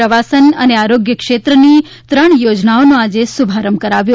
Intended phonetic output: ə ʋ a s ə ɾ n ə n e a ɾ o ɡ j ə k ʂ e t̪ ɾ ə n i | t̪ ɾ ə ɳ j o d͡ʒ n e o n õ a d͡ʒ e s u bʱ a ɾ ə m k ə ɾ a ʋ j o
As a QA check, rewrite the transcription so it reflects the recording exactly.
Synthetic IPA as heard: ə ʋ a s ə n ə n e a ɾ o ɡ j ə k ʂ e t̪ ɾ ə n i | t̪ ɾ ə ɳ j o d͡ʒ n a o n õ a d͡ʒ e s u bʱ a ɾ ə m k ə ɾ a ʋ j o